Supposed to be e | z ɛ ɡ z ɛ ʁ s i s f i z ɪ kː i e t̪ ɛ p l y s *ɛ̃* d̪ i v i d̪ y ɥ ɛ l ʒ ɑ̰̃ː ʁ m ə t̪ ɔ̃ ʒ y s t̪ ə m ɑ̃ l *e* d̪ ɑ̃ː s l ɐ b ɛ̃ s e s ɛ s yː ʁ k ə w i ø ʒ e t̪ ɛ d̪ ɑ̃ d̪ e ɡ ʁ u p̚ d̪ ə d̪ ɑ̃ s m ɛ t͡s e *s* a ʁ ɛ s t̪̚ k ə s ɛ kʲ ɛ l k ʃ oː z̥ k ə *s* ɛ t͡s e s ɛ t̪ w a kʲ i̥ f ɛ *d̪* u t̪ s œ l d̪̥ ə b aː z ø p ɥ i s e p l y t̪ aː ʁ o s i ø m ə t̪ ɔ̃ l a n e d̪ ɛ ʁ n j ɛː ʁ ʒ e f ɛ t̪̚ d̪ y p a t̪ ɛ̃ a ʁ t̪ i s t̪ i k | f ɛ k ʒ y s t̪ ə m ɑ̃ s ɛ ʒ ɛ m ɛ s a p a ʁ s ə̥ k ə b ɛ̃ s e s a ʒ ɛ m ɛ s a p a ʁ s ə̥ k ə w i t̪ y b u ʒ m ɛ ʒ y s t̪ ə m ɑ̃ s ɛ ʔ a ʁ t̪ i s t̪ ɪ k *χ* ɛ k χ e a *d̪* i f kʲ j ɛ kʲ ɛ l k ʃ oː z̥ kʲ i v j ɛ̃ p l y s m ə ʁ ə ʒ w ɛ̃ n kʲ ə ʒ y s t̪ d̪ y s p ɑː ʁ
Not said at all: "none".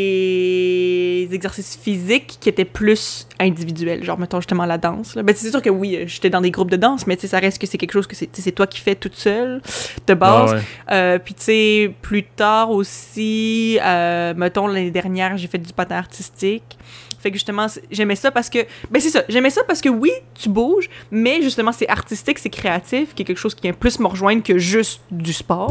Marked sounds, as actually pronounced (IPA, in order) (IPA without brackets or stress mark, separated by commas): ɛ̃, a, s, s, t̪, s, t̪